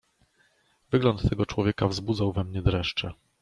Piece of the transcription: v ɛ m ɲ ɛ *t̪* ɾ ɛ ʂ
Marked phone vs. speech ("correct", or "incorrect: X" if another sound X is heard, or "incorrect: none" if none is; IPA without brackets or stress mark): incorrect: d̪